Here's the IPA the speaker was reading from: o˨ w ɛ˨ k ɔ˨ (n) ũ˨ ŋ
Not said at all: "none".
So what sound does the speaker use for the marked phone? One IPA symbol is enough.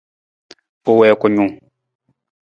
ɲ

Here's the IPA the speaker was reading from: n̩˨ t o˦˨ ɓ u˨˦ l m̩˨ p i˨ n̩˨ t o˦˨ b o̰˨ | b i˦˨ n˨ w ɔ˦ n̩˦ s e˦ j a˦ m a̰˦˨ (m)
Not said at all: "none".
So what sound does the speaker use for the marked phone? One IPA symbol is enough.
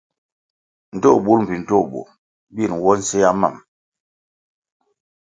m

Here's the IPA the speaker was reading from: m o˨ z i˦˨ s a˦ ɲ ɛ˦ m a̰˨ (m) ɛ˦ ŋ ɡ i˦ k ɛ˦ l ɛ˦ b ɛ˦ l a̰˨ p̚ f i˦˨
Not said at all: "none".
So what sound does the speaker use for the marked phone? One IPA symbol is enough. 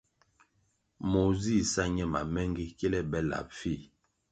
m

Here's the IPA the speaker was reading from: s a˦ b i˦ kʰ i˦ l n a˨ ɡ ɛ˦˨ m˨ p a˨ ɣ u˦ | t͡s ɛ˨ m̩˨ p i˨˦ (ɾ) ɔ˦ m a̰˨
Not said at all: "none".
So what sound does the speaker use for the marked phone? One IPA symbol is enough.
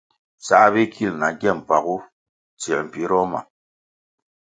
ɾ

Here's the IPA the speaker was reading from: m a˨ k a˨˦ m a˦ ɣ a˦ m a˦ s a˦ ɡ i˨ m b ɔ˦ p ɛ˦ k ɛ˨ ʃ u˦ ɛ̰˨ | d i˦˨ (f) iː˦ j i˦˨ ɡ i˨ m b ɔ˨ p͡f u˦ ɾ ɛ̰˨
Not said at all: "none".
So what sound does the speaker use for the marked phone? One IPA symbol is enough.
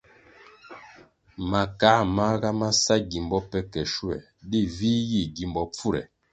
v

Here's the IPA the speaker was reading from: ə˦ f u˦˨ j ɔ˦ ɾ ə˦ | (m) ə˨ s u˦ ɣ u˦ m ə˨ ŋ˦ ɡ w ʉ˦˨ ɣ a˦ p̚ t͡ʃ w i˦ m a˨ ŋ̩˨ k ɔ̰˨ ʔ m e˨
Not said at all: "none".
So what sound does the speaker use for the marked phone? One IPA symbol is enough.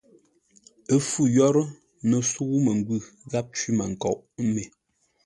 n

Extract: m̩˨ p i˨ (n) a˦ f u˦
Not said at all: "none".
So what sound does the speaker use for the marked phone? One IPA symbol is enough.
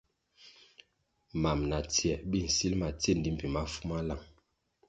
m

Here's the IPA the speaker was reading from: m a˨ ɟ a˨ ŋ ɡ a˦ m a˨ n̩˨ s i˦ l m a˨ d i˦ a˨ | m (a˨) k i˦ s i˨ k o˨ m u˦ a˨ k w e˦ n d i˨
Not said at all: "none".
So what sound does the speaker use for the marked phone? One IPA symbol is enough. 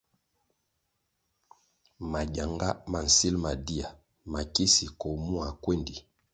a˨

